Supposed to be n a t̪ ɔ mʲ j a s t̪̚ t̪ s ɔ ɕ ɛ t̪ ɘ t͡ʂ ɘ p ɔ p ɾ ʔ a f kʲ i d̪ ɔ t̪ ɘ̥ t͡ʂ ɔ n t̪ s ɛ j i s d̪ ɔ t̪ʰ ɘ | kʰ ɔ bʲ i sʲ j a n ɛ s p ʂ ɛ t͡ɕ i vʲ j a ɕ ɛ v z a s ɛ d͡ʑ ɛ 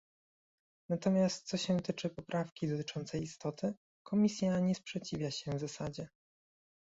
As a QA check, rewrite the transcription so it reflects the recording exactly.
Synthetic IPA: n a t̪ ɔ mʲ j a s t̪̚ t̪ s ɔ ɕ ɛ t̪ ɘ t͡ʂ ɘ p ɔ p ɾ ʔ a f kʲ i d̪ ɔ t̪ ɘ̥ t͡ʂ ɔ n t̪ s ɛ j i s t̪ ɔ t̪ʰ ɘ | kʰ ɔ mʲ i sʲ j a ɲ ɛ s p ʂ ɛ t͡ɕ i vʲ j a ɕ ɛ v z a s a d͡ʑ ɛ